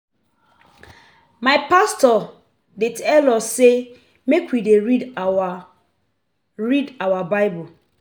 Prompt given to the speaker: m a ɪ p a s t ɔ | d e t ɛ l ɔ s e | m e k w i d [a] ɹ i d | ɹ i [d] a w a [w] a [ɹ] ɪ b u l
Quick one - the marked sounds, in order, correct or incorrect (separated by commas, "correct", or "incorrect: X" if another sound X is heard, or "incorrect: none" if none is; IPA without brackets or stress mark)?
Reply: incorrect: e, correct, incorrect: b, incorrect: none